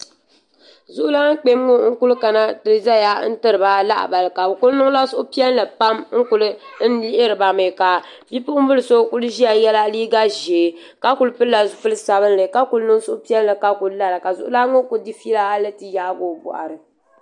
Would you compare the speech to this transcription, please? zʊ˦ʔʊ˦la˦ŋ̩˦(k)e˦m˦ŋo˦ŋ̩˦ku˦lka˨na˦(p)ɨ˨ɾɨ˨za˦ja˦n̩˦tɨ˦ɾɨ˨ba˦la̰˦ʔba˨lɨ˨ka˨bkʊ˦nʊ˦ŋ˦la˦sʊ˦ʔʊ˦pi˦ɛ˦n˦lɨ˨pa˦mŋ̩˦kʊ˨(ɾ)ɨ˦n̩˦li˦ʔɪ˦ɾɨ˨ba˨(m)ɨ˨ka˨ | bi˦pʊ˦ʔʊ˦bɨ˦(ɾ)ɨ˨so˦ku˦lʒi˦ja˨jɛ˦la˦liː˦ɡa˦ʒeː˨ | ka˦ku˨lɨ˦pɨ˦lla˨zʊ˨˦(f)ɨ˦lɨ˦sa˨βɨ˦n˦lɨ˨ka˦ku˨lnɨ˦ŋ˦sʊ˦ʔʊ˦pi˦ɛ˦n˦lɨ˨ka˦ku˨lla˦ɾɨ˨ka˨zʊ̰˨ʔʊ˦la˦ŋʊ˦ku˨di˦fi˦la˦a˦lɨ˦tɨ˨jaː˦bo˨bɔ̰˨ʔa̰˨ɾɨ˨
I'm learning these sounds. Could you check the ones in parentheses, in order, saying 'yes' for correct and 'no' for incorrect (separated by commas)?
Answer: no, no, no, yes, no, yes